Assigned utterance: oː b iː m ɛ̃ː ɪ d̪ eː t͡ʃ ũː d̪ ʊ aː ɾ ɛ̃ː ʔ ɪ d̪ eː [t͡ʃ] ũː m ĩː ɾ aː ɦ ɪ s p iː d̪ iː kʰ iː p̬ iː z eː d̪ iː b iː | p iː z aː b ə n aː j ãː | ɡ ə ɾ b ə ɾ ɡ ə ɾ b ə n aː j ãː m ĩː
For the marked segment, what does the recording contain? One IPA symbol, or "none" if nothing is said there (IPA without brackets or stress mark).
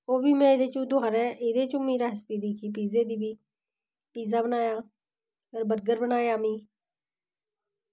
t͡ʃ